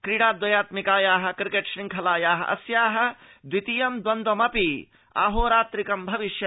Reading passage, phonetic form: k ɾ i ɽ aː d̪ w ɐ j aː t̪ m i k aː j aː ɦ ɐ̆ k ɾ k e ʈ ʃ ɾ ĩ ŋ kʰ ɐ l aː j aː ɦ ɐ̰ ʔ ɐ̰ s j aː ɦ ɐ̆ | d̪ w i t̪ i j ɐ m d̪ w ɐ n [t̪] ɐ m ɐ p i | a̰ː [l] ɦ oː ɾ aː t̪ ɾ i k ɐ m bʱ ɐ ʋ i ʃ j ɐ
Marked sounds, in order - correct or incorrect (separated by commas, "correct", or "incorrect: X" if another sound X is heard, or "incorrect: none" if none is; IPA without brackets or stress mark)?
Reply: incorrect: d̪, incorrect: none